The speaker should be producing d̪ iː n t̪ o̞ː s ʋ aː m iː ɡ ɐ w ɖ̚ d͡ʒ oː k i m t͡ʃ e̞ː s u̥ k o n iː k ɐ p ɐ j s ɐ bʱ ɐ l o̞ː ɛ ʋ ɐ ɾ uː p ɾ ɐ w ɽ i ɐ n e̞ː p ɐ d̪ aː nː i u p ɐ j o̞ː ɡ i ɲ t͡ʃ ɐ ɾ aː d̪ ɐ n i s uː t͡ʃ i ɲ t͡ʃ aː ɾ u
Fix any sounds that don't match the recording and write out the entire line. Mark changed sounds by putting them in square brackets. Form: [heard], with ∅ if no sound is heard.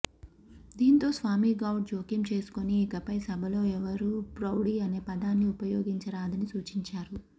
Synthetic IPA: d̪ iː n t̪ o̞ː s ʋ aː m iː ɡ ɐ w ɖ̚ d͡ʒ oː k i m t͡ʃ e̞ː s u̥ k o n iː k ɐ p ɐ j s ɐ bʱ ɐ l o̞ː ɛ ʋ ɐ ɾ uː p ɾ ɐ w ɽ i ɐ n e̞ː p ɐ d̪ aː nː i u p ɐ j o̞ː ɡ i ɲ t͡ʃ ɐ ɾ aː d̪ ɐ n i s uː t͡ʃ i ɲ t͡ʃ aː ɾ u